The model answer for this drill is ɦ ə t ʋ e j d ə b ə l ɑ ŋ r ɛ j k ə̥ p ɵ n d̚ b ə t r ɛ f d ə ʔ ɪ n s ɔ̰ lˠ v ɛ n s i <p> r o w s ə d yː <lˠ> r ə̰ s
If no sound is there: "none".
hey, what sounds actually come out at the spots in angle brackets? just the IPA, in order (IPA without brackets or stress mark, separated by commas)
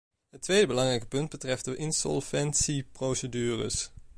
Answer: p, none